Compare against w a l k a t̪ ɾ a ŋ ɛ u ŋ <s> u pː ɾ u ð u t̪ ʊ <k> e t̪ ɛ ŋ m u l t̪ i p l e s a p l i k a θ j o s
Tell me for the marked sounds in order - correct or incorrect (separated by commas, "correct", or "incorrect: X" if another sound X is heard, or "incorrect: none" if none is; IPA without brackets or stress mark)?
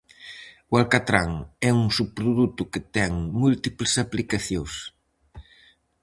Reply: correct, correct